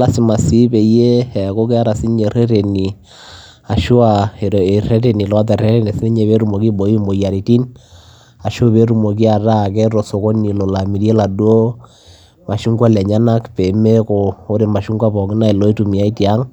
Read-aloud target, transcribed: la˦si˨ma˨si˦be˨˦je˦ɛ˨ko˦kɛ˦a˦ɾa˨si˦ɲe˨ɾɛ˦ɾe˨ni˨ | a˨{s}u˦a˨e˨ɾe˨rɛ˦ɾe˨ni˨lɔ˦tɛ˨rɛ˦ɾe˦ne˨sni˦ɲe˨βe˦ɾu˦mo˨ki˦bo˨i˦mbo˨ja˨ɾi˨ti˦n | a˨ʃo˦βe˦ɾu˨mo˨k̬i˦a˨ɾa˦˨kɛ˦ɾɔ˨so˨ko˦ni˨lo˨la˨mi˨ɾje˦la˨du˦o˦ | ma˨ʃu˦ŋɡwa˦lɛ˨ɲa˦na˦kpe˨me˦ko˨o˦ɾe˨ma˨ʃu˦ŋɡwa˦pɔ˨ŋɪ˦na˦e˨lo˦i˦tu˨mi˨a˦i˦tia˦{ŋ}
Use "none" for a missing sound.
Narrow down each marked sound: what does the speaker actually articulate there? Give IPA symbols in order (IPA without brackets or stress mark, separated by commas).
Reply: ʃ, ŋ